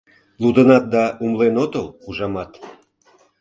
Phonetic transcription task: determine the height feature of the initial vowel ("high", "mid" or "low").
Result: high